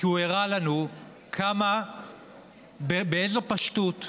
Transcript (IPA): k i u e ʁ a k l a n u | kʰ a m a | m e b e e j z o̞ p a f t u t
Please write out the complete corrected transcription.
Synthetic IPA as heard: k i u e ʁ a l a n u | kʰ a m a | b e b e e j z o̞ p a ʃ t u t